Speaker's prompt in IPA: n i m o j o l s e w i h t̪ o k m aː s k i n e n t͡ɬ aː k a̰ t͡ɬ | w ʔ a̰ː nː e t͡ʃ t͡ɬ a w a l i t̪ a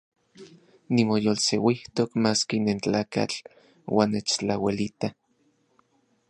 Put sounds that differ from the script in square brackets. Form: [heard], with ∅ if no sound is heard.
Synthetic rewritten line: n i m o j o l s e w i h t̪ o k m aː s k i n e n t͡ɬ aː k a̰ t͡ɬ | w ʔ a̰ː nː e t͡ʃ t͡ɬ a w [e] l i t̪ a